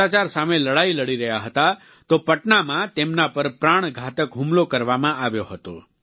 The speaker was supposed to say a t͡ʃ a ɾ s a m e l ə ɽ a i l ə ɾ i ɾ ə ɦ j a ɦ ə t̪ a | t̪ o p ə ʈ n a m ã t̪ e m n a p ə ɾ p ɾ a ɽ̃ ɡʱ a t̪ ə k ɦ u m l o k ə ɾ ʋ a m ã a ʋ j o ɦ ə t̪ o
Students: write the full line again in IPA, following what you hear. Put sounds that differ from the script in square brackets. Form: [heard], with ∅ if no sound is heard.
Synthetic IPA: a t͡ʃ a ɾ s a m e l ə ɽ a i l ə [ɽ] i ɾ ə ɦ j a ɦ ə t̪ a | t̪ o p ə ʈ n a m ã t̪ e m n a p ə ɾ p ɾ a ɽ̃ ɡʱ a t̪ ə k ɦ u m l o k ə ɾ ʋ a m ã a ʋ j o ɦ ə t̪ o

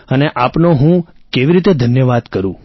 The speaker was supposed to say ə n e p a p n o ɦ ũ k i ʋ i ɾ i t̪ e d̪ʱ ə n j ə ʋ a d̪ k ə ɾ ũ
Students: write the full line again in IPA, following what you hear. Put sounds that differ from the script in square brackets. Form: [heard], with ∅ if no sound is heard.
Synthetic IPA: ə n e [ʔ] a p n o ɦ ũ k [e] ʋ i ɾ i t̪ e d̪ʱ ə n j ə ʋ a d̪ k ə ɾ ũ

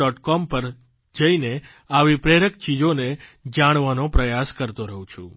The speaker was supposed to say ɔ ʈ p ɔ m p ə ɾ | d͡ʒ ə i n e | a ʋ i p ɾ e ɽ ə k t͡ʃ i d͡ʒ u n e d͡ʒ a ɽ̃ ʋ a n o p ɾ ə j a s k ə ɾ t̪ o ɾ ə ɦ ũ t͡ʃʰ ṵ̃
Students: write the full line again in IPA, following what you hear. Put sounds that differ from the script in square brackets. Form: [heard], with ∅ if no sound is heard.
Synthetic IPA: ɔ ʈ [k] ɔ m p ə ɾ | d͡ʒ ə i n e | a ʋ i p ɾ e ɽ ə k t͡ʃ i d͡ʒ [o] n e d͡ʒ a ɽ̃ ʋ a n o p ɾ ə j a s k ə ɾ t̪ o ɾ ə ɦ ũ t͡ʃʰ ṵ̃

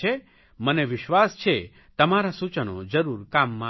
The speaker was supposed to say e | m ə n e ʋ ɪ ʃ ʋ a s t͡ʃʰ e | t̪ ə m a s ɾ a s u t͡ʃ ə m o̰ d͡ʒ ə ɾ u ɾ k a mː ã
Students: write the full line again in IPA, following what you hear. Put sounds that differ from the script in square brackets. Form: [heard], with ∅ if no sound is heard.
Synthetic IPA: e | m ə n e ʋ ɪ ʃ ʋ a s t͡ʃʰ e | t̪ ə m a [∅] ɾ a s u t͡ʃ ə [n] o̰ d͡ʒ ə ɾ u ɾ k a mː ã

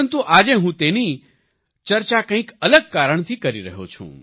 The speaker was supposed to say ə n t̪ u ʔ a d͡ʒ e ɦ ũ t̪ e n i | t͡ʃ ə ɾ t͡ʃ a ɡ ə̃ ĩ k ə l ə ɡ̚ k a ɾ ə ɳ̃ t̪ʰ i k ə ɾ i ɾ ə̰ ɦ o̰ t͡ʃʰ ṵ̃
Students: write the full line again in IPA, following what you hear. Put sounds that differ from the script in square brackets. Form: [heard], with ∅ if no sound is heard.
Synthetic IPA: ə n t̪ u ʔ a d͡ʒ e ɦ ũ t̪ e n i | t͡ʃ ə ɾ t͡ʃ a [k] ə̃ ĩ k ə l ə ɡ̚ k a ɾ ə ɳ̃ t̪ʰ i k ə ɾ i ɾ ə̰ ɦ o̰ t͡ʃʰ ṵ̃

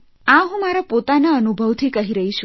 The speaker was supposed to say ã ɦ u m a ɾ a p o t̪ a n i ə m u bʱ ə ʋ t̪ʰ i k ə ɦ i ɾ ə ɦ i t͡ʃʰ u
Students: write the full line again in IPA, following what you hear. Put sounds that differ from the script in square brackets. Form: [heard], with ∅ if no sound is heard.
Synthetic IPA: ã ɦ [ũ] m a ɾ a p o t̪ a n [a] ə [n] u bʱ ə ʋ t̪ʰ i k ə ɦ i ɾ ə ɦ i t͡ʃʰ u

